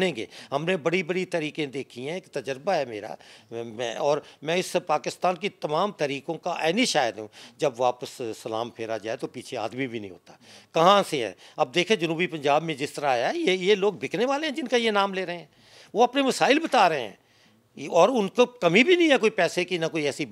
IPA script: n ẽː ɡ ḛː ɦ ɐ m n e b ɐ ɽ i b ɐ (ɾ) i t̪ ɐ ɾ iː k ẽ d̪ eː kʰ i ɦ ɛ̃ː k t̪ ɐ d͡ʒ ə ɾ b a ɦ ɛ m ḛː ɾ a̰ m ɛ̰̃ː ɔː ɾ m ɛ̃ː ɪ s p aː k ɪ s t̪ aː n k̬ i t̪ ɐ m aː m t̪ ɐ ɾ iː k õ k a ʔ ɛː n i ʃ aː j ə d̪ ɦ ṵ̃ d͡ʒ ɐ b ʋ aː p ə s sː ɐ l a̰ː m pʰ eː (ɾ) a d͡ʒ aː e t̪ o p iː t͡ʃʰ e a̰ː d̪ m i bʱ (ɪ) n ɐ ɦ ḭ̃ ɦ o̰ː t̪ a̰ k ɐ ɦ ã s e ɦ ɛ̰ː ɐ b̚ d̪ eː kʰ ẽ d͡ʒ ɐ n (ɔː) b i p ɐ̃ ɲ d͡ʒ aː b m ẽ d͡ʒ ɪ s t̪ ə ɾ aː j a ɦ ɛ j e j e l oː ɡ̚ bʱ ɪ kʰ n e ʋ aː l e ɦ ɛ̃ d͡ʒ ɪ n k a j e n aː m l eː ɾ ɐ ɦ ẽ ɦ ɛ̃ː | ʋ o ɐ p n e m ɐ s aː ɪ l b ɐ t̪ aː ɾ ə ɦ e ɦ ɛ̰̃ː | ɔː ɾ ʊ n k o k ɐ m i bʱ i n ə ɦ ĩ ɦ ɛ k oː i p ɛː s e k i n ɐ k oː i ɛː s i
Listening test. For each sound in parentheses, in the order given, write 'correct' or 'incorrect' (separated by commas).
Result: incorrect, correct, incorrect, incorrect